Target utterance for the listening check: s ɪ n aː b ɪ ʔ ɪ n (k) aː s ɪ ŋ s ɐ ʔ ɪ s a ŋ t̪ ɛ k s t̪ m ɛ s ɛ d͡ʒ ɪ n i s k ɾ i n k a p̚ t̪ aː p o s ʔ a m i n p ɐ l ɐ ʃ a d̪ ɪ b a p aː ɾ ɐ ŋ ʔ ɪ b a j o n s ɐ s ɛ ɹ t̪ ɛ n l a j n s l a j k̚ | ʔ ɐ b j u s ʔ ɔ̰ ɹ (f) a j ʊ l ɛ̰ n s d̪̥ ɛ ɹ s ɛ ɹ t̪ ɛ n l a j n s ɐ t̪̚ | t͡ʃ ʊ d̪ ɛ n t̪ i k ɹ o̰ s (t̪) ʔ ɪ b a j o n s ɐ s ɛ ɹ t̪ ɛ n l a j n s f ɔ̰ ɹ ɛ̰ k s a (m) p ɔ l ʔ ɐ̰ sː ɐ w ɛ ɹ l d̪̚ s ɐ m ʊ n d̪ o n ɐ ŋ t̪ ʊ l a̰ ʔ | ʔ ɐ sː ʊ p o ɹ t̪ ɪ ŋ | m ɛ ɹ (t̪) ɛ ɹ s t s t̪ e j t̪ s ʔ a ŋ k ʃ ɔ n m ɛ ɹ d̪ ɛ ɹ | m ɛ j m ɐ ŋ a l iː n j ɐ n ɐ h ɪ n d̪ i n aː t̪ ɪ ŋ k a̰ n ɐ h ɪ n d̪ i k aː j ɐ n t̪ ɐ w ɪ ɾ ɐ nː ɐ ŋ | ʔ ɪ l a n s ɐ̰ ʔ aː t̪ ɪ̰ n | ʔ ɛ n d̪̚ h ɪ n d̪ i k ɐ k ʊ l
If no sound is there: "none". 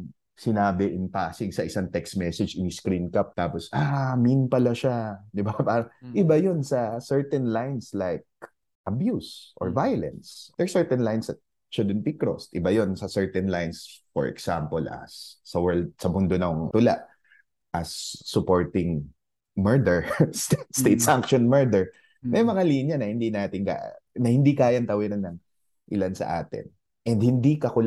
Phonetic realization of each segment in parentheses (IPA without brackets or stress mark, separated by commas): p, v, t̪, m, d̪